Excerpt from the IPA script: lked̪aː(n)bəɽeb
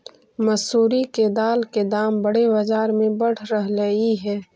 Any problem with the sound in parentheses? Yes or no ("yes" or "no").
yes